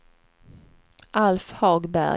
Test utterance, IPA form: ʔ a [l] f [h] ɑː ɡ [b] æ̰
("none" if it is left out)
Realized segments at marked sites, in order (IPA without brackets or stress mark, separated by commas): l, h, b